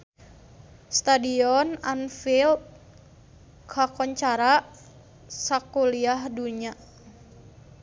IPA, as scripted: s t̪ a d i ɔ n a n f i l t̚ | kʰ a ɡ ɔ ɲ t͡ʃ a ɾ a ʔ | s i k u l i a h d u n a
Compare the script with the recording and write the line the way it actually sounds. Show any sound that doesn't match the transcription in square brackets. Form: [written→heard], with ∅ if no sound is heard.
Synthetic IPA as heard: s t̪ a d i ɔ n a n f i l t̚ | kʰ a [ɡ→k] ɔ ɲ t͡ʃ a ɾ a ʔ | s [i→a] k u l i a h d u [n→ɲ] a